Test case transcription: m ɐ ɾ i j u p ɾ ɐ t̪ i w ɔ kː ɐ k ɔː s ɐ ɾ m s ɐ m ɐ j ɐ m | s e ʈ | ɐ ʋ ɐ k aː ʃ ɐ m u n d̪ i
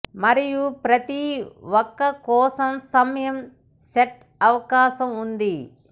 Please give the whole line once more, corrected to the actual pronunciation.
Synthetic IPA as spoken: m ɐ ɾ i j u p ɾ ɐ t̪ i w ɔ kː ɐ k ɔː s ɐ m s ɐ m ɐ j ɐ m | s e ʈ | ɐ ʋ ɐ k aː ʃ ɐ m u n d̪ i